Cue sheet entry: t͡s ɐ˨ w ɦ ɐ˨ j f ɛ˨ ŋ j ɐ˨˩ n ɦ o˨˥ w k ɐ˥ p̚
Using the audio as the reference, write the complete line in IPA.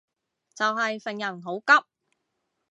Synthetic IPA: t͡s ɐ˨ w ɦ ɐ˨ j f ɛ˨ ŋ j ɐ˨˩ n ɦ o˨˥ w k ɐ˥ p̚